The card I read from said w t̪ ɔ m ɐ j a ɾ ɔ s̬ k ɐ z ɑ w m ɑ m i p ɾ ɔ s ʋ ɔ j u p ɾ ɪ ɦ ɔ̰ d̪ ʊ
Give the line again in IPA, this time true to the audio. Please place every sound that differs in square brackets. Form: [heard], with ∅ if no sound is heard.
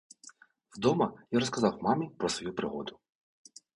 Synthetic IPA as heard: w [d̪] ɔ m ɐ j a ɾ ɔ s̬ k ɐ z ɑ w m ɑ m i p ɾ ɔ s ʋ ɔ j u p ɾ ɪ ɦ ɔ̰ d̪ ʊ